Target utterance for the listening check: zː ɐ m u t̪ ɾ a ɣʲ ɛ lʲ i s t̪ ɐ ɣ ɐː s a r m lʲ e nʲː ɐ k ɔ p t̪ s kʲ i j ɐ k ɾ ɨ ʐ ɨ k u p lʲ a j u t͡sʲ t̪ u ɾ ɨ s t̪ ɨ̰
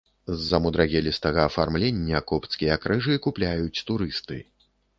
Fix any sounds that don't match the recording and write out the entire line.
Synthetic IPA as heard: zː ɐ m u d̪ ɾ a ɣʲ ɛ lʲ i s t̪ ɐ ɣ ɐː f a r m lʲ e nʲː ɐ k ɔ p t̪ s kʲ i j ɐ k ɾ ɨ ʐ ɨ k u p lʲ a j u t͡sʲ t̪ u ɾ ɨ s t̪ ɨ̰